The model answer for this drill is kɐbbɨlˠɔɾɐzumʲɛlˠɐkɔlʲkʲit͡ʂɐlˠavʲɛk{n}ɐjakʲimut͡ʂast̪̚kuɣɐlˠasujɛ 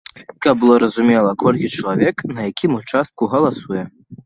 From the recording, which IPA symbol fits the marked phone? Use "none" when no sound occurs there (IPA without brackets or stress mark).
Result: n